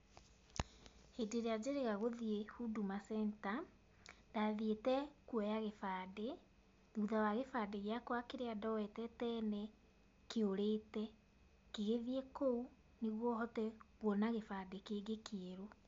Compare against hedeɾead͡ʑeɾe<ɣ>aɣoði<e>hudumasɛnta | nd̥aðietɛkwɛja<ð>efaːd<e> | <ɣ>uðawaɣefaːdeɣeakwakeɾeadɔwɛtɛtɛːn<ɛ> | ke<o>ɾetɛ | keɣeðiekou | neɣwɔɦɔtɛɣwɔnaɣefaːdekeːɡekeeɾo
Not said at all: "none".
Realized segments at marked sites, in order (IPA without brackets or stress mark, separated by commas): ɣ, e, ɣ, e, ð, ɛ, o